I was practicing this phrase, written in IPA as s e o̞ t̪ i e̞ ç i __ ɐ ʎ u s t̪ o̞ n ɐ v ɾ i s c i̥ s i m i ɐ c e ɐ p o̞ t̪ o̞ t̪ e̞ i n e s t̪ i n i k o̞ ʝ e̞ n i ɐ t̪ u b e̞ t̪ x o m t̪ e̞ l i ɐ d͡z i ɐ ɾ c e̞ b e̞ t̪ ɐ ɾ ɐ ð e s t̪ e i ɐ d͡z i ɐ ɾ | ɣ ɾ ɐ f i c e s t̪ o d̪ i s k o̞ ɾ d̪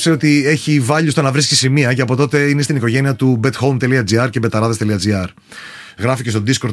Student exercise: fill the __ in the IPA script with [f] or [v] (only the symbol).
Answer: v